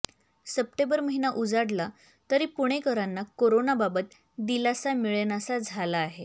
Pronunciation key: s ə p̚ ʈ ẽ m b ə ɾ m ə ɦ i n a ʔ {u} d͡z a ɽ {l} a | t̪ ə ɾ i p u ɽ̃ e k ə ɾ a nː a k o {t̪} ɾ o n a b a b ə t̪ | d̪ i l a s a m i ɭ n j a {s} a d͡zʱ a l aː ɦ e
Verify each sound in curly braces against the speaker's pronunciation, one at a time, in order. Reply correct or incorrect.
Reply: correct, correct, incorrect, correct

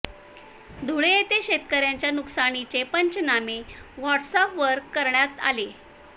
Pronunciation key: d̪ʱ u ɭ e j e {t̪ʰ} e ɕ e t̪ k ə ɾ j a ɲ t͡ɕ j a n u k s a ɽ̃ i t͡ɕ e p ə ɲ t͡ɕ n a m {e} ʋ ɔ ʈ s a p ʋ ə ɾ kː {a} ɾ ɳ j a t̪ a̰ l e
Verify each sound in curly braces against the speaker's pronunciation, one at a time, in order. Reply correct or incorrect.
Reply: incorrect, correct, incorrect

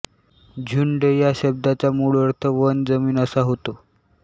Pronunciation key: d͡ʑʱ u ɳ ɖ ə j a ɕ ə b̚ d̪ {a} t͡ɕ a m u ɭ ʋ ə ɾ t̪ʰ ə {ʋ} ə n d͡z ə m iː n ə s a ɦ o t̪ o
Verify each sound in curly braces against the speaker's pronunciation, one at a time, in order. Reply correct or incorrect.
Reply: correct, correct

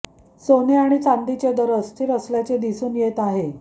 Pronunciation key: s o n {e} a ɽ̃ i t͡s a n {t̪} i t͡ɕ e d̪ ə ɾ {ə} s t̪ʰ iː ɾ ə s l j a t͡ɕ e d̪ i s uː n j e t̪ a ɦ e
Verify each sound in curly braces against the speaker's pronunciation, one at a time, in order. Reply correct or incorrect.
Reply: correct, incorrect, correct

